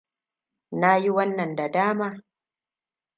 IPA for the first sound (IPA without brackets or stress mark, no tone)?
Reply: n